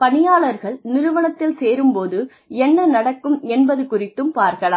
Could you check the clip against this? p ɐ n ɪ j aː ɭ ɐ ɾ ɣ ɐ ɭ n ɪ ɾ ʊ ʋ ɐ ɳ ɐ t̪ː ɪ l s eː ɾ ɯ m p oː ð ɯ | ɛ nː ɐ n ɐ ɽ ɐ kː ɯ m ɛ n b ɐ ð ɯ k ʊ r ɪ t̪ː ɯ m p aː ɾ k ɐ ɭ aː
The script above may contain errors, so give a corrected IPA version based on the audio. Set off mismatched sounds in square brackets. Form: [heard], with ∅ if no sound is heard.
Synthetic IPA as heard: p ɐ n ɪ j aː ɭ ɐ ɾ ɣ ɐ ɭ n ɪ ɾ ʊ ʋ ɐ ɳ ɐ t̪ː ɪ l s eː ɾ ɯ m p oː ð ɯ | ɛ nː ɐ n ɐ ɽ ɐ kː ɯ m ɛ n b ɐ ð ɯ k ʊ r ɪ t̪ː ɯ m p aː ɾ k ɐ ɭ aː